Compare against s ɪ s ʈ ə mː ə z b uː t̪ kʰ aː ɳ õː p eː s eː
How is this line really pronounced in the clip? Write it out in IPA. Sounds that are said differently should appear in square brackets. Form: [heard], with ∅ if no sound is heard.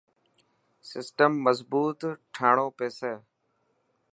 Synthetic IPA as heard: s ɪ s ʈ ə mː ə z b uː t̪ [ʈʰ] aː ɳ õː p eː s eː